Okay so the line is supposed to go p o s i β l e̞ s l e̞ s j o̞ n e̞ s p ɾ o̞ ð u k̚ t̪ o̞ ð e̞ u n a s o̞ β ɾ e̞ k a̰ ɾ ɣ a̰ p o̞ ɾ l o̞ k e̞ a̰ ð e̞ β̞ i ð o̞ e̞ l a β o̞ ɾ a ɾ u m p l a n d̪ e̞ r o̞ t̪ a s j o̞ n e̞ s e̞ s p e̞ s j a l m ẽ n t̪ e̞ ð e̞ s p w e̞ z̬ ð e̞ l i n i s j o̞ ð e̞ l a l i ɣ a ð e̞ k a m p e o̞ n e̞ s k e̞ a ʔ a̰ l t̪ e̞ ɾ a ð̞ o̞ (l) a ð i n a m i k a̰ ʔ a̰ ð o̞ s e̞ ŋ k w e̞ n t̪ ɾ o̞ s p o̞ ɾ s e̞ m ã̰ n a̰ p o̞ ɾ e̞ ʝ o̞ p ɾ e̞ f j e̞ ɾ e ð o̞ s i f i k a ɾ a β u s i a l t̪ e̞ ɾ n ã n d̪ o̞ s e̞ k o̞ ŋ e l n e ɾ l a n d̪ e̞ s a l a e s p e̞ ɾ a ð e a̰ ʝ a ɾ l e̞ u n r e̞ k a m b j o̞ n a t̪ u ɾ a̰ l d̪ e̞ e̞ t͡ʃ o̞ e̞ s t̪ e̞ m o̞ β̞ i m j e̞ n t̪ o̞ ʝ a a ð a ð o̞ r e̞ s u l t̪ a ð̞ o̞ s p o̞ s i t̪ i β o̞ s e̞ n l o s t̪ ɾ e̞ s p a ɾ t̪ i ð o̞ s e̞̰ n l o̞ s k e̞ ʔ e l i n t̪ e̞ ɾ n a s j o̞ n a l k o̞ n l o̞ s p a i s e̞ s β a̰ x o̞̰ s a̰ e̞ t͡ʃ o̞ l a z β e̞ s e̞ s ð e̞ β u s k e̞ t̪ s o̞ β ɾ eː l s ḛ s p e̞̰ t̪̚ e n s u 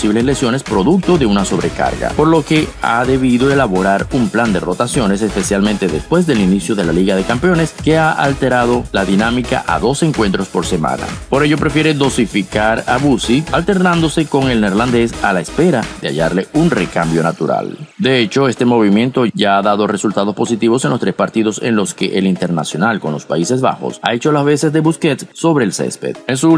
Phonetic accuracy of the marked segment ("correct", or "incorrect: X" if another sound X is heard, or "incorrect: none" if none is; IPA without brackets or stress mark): correct